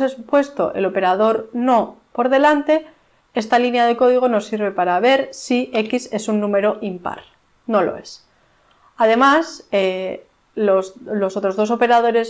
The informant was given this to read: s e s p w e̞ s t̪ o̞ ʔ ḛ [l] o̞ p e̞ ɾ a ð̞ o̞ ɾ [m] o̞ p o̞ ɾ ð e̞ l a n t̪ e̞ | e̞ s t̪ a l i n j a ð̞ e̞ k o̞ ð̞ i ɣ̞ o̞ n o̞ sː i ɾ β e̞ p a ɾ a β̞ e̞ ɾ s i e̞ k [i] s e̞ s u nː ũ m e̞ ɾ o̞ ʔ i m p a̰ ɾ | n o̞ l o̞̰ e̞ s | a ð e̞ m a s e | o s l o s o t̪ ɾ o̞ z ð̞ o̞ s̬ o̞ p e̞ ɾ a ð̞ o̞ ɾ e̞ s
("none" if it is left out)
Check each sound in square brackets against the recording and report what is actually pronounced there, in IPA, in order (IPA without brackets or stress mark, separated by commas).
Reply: l, n, i